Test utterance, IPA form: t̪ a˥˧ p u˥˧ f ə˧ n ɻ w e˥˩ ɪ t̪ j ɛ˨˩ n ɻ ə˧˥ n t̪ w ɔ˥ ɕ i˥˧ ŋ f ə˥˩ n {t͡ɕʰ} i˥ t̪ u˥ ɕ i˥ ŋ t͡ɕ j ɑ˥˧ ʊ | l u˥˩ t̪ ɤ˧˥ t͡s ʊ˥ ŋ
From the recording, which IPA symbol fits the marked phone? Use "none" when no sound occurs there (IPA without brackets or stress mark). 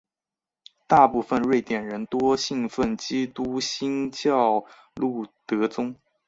t͡ɕ